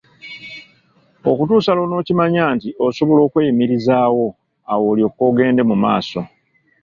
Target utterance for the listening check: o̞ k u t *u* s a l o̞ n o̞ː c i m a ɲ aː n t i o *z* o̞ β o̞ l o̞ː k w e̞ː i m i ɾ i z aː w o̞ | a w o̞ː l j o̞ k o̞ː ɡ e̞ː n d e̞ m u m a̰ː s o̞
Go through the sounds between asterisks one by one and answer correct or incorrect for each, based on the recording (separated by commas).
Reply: incorrect, incorrect